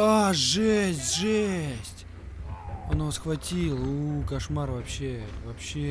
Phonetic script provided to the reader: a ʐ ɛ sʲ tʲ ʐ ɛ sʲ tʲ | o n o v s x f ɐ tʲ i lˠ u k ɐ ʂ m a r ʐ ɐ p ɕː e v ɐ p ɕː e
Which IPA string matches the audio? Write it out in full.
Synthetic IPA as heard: a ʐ ɛ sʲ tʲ ʐ ɛ sʲ tʲ | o n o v s x v ɐ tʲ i lˠ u k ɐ ʂ m a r v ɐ p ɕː e v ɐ p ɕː e